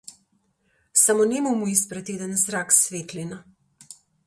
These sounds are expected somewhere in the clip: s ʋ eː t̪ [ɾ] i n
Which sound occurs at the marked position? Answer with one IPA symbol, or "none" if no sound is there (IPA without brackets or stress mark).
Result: l